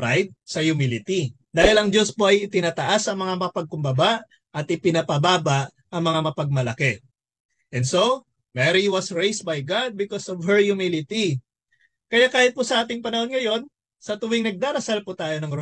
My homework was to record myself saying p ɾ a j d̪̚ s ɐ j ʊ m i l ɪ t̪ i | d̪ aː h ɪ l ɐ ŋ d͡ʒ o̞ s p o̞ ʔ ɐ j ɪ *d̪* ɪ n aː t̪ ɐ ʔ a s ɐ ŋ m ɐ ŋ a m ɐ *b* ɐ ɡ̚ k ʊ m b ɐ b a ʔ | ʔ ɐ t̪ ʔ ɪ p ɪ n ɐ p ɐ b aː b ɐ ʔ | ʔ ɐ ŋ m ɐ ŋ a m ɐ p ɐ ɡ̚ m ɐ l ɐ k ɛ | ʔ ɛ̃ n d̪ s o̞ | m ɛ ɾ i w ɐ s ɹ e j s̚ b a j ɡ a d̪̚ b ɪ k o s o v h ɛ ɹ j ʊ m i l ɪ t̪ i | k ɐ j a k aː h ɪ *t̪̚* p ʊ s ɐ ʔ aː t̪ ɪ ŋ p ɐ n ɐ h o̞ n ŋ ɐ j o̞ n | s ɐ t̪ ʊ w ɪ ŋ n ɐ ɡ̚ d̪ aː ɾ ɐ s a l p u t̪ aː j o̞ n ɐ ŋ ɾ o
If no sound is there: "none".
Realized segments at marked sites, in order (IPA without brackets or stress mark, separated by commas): t̪, p, t̪̚